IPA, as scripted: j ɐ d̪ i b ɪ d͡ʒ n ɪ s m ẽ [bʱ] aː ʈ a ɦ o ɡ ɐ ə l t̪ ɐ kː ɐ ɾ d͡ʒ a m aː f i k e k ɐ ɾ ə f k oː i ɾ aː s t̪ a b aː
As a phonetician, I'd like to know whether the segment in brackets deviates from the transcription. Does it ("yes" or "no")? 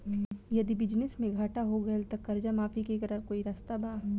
yes